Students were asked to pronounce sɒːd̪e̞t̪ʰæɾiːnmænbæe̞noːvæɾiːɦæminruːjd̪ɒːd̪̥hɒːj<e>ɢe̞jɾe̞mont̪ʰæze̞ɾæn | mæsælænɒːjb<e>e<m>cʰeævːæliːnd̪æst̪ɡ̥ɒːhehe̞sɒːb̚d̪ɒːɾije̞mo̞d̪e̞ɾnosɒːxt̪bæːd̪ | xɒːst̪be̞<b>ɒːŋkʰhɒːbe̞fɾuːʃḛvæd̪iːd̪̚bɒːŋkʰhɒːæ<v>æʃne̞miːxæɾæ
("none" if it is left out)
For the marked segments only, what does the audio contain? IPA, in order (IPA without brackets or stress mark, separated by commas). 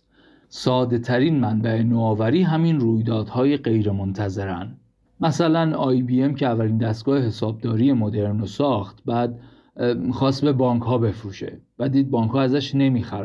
e, i, m, b, z